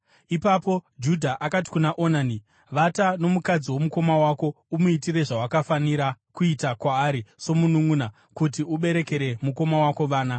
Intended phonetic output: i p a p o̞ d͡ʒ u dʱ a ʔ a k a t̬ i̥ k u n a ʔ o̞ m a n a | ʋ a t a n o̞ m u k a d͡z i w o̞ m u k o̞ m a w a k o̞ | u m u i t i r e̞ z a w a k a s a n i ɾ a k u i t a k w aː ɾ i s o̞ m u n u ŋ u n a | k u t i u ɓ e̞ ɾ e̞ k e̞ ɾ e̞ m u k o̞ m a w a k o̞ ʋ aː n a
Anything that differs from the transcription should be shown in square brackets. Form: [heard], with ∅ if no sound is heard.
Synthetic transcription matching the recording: i p a p o̞ d͡ʒ u dʱ a ʔ a k a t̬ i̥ k u n a ʔ o̞ [n] a n [i] | ʋ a t a n o̞ m u k a d͡z i w o̞ m u k o̞ m a w a k o̞ | u m u i t i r e̞ [ʐ] a w a k a [f] a n i ɾ a k u i t a k w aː ɾ i s o̞ m u n u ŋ u n a | k u t i u ɓ e̞ ɾ e̞ k e̞ ɾ e̞ m u k o̞ m a w a k o̞ ʋ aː n a